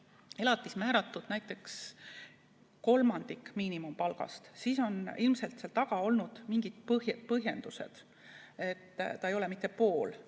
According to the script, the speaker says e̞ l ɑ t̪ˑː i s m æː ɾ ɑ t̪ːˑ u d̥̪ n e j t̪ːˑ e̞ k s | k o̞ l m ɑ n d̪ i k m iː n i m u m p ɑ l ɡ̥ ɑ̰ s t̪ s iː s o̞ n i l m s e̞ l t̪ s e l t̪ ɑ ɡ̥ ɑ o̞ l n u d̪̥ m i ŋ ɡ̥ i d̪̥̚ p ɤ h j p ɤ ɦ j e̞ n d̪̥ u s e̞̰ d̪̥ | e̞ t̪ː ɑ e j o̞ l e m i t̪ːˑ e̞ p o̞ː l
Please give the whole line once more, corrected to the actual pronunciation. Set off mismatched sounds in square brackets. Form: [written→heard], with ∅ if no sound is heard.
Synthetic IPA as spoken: e̞ l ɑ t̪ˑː i s m æː ɾ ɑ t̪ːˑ u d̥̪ n [e→æ] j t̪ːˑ e̞ k s | k o̞ l m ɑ n d̪ i k m iː n i m u m p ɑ l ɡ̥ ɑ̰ s t̪ s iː s o̞ n i l m s e̞ l t̪ s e l t̪ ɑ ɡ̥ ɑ o̞ l n u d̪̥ m i ŋ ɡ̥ i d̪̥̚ p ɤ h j p ɤ ɦ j e̞ n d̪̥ u s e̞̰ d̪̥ | e̞ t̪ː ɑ e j o̞ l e m i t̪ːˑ e̞ p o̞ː l

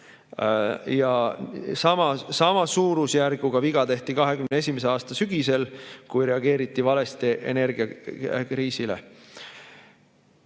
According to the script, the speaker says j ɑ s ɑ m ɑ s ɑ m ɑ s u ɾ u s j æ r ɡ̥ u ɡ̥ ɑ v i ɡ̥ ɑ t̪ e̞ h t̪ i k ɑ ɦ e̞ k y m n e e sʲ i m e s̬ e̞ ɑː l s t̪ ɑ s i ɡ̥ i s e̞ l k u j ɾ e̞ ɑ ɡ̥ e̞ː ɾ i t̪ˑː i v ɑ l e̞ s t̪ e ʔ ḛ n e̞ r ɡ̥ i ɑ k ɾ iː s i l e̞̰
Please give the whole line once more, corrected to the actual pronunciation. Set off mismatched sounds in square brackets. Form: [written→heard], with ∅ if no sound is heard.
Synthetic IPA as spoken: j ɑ s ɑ m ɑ s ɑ m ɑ s [u→uː] ɾ u s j æ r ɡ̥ u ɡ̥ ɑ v i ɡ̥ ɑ t̪ e̞ h t̪ i k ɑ ɦ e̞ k y m n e e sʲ i m e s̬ e̞ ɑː [l→∅] s t̪ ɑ s [i→y] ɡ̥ i s e̞ l k u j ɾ e̞ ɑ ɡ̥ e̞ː ɾ i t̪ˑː i v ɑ l e̞ s t̪ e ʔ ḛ n e̞ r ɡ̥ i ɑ k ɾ iː s i l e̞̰

